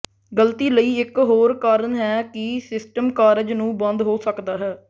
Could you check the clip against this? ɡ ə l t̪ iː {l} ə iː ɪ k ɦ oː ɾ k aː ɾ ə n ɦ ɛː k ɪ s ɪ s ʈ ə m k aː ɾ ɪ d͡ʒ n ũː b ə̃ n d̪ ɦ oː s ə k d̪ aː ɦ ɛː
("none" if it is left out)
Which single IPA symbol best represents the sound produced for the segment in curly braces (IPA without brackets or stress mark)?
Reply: l